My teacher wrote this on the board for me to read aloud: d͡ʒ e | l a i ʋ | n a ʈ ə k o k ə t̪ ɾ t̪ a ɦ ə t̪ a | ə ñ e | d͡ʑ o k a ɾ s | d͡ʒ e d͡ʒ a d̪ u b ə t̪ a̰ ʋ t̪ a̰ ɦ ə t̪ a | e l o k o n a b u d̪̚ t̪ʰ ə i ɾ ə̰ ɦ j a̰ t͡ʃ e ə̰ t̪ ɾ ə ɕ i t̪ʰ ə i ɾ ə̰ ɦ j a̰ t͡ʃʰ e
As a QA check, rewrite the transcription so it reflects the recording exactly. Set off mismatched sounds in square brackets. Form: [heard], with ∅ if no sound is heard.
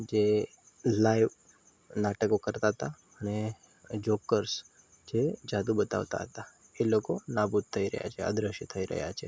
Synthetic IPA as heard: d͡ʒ e | l a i ʋ | n a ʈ ə k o k ə [∅] ɾ t̪ a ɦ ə t̪ a | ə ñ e | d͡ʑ o k [ə] ɾ s | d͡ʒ e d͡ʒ a d̪ u b ə t̪ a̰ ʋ t̪ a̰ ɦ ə t̪ a | e l o k o n a b u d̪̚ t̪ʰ ə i ɾ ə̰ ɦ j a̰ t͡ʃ e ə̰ [d̪] ɾ ə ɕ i t̪ʰ ə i ɾ ə̰ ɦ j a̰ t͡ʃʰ e